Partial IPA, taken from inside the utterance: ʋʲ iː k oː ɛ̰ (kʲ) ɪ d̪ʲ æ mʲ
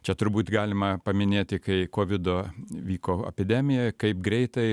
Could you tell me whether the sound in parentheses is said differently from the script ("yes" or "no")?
yes